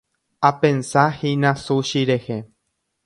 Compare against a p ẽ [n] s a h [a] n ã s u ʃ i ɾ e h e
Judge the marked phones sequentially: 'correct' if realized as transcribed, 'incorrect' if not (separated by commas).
correct, incorrect